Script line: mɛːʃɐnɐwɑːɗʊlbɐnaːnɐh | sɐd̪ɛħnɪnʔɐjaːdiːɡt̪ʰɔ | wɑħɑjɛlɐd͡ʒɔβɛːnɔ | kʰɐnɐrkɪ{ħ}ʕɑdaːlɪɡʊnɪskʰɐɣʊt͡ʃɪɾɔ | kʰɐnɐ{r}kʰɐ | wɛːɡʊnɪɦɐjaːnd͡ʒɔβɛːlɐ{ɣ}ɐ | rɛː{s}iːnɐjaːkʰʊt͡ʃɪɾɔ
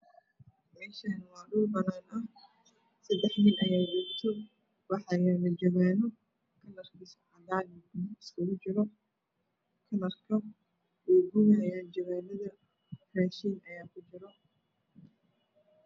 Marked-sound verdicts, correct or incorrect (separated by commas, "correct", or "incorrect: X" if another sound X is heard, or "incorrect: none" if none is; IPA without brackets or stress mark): incorrect: s, correct, incorrect: ð, incorrect: ʃ